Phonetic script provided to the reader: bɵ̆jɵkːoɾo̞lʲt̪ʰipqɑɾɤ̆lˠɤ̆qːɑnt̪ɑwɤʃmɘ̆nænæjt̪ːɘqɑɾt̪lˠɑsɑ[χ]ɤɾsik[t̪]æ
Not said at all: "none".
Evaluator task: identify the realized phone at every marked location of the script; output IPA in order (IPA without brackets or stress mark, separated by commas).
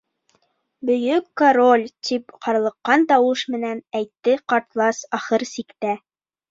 χ, t̪